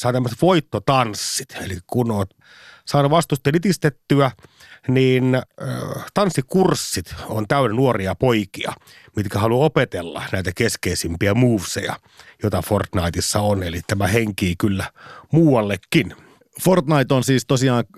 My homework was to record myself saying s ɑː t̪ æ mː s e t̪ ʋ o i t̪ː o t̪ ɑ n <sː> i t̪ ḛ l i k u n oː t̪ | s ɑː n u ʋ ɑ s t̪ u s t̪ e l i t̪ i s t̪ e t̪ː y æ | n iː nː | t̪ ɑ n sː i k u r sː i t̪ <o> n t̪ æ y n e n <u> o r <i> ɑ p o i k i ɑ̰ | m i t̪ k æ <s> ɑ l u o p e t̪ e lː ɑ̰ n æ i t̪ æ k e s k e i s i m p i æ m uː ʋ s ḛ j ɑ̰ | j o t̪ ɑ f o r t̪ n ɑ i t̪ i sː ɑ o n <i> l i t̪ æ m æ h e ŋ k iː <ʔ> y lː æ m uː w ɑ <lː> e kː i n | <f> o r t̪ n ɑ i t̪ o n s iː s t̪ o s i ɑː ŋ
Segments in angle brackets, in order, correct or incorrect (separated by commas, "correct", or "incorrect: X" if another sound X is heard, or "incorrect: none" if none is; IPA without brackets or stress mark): correct, correct, correct, correct, incorrect: h, incorrect: e, incorrect: k, correct, correct